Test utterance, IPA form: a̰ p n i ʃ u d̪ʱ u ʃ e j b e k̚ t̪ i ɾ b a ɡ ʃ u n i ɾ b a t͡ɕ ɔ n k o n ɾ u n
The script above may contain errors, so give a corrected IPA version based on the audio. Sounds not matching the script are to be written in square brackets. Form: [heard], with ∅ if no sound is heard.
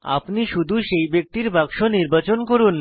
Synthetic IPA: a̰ p n i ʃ u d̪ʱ u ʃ e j b e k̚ t̪ i ɾ b a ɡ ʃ [o] n i ɾ b a t͡ɕ [o] n k o [∅] ɾ u n